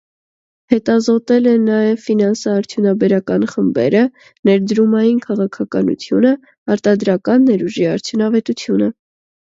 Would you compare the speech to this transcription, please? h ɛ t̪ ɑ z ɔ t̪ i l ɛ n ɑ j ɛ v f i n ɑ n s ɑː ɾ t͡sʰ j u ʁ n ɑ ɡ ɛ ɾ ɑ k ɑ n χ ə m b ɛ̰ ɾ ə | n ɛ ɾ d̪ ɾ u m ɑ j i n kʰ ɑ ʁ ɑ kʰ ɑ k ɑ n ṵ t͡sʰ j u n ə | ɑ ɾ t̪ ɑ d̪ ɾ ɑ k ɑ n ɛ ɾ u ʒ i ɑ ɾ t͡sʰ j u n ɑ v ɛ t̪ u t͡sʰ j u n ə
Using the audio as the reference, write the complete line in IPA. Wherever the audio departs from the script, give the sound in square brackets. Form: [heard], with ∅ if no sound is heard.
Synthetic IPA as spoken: h ɛ t̪ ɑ z ɔ t̪ [ɛ] l ɛ n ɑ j ɛ v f i n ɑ n s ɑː ɾ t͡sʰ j u [∅] n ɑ [b] ɛ ɾ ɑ k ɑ n χ ə m b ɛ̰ ɾ ə | n ɛ ɾ d̪ ɾ u m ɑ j i n kʰ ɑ ʁ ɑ kʰ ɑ k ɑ n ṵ t͡sʰ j u n ə | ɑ ɾ t̪ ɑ d̪ ɾ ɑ k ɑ [nː] ɛ ɾ u ʒ i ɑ ɾ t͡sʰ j u n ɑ v ɛ t̪ u t͡sʰ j u n ə